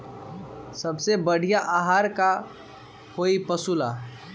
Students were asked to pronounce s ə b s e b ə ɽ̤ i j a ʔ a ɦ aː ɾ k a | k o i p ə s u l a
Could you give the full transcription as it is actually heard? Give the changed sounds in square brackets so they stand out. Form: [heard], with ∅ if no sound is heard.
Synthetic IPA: s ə b s e b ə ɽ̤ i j a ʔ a ɦ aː ɾ k a | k o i p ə s u l a